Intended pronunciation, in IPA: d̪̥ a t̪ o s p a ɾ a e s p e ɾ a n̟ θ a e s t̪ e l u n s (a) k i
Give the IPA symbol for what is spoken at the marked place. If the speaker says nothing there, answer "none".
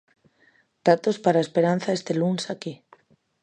a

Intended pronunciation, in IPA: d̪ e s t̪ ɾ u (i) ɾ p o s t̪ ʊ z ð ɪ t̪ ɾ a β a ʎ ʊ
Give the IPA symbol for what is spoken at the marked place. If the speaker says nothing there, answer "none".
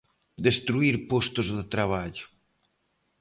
i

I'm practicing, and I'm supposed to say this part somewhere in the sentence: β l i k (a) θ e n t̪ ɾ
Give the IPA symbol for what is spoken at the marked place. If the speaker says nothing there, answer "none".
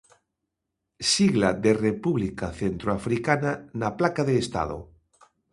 a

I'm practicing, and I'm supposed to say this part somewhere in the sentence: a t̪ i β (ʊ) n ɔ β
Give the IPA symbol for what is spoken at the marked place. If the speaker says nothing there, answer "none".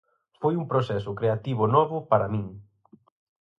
ʊ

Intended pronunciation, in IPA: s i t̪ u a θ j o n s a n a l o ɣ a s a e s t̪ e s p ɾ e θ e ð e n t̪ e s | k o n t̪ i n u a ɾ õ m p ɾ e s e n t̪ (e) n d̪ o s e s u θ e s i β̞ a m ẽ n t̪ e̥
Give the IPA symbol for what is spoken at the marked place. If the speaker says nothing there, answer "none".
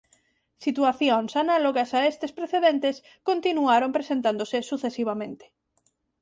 a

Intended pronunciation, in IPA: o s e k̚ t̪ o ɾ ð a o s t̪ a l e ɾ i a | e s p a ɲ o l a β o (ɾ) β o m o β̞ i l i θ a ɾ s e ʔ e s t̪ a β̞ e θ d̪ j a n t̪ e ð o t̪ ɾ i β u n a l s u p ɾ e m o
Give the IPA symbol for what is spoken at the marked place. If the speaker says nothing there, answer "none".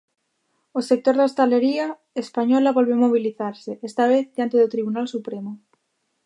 l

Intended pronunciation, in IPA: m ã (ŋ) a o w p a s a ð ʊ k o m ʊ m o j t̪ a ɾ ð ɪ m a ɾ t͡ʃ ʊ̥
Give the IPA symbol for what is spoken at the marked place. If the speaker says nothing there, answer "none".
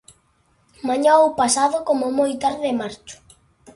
ɲ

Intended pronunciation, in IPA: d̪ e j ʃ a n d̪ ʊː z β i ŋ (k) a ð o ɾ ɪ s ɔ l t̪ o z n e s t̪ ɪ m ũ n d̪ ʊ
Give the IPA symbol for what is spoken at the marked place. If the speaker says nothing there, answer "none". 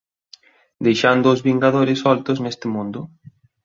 ɡ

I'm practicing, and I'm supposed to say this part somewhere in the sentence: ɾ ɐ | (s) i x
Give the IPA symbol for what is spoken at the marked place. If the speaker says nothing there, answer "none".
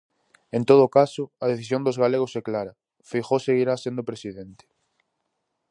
f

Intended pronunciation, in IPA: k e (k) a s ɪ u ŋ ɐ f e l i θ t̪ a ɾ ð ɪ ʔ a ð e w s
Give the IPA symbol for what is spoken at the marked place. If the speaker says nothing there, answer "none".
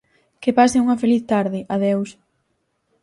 p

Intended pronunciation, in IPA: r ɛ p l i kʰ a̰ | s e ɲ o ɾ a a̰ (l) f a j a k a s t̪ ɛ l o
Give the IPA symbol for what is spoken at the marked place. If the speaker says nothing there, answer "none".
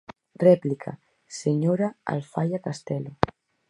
l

